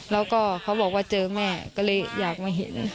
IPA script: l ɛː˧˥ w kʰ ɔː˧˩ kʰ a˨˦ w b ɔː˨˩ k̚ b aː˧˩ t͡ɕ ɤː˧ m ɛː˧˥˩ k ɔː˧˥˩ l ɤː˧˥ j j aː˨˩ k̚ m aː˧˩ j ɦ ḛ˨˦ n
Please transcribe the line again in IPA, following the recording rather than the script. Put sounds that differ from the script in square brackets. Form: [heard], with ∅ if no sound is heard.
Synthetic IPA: l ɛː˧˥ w [k] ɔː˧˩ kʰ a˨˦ w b ɔː˨˩ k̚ [w] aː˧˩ t͡ɕ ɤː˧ m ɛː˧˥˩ k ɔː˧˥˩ l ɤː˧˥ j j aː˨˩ k̚ m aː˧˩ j ɦ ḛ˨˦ n